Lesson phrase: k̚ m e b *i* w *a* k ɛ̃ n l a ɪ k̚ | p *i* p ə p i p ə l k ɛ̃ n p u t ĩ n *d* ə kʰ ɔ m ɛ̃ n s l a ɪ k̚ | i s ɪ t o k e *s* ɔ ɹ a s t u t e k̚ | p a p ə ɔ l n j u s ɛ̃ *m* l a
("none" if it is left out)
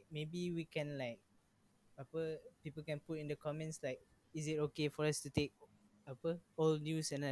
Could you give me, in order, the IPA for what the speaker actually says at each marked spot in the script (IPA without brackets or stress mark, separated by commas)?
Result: i, i, a, d, f, n